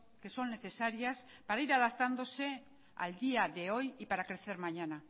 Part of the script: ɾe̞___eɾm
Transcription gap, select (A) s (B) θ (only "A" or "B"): B